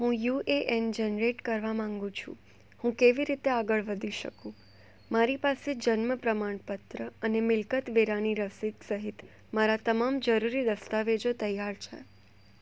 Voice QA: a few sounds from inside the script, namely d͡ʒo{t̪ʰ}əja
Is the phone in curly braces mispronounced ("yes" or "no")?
yes